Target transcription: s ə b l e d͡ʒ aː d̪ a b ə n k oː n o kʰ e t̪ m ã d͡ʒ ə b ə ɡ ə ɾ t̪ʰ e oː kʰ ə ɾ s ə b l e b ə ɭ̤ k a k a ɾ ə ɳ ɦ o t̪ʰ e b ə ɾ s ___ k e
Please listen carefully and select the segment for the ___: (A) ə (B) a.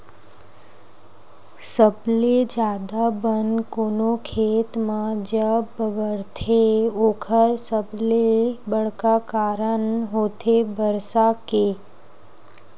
B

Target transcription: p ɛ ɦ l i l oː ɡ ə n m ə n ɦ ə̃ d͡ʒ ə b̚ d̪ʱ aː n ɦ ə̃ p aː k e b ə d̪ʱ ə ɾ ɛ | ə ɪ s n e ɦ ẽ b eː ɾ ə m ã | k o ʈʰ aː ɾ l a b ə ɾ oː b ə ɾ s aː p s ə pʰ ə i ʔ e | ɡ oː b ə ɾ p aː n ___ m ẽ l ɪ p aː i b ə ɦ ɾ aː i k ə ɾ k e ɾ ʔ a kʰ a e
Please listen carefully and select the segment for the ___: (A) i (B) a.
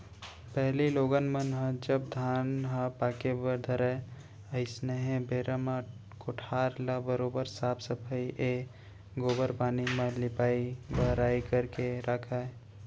A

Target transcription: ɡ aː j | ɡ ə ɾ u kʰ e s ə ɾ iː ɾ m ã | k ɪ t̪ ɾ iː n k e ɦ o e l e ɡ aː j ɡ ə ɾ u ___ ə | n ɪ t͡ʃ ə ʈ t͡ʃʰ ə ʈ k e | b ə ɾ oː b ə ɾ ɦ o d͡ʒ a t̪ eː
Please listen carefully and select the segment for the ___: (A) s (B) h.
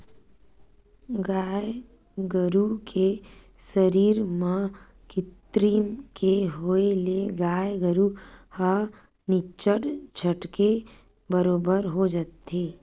B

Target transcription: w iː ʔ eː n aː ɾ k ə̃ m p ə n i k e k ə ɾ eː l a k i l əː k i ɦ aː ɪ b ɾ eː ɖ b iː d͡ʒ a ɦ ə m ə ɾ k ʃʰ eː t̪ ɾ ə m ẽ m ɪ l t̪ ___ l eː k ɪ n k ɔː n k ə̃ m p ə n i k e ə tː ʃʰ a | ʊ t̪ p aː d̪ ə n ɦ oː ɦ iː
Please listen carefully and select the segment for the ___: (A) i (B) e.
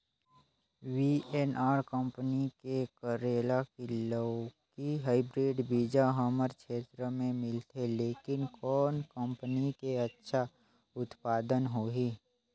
B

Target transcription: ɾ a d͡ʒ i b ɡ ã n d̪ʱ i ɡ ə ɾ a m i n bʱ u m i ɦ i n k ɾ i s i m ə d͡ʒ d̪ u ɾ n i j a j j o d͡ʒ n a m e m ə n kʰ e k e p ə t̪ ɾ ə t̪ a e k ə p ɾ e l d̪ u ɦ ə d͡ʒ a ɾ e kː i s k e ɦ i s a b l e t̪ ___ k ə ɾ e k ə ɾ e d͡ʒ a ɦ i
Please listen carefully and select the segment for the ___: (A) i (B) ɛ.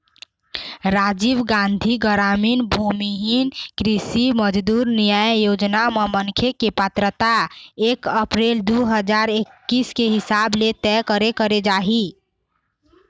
B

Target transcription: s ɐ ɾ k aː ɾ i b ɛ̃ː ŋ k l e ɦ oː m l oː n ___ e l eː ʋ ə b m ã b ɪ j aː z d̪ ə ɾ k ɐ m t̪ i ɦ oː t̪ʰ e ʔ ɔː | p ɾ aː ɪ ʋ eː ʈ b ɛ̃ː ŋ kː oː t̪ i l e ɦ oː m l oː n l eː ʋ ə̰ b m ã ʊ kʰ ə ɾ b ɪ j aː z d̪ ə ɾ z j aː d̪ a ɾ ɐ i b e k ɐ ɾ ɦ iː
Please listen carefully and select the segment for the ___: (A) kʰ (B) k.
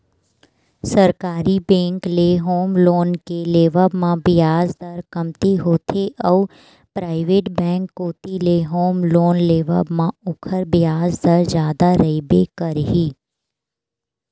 B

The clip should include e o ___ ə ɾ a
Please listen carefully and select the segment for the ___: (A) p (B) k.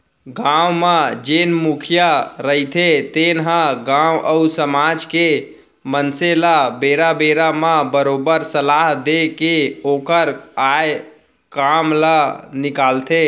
B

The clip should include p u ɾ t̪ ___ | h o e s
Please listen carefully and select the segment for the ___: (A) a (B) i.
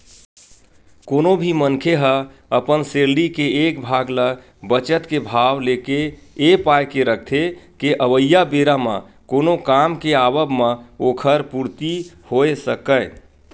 B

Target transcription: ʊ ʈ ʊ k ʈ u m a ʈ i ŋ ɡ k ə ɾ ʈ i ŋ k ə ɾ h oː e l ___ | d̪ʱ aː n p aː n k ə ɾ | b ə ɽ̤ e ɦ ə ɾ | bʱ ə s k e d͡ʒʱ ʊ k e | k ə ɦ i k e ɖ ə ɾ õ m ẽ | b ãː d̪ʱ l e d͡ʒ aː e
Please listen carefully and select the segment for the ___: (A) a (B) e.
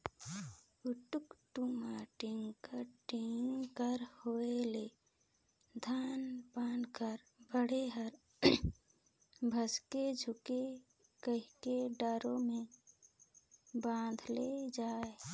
B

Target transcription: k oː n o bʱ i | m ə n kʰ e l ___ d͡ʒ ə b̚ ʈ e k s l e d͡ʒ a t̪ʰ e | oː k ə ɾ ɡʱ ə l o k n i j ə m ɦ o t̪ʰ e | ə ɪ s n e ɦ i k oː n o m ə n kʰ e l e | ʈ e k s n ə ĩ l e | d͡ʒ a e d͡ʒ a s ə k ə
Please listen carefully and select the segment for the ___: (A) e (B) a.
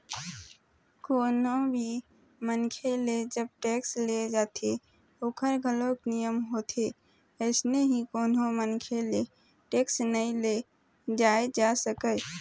A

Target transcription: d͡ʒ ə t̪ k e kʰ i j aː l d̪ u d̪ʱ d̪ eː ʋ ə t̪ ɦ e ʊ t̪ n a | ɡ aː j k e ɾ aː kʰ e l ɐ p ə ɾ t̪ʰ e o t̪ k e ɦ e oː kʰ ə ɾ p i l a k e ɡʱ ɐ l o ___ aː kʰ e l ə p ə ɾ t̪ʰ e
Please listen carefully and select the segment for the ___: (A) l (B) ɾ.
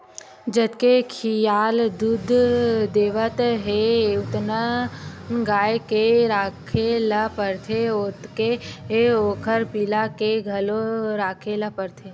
B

